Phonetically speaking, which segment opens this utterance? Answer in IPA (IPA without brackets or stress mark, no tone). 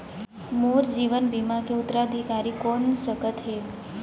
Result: m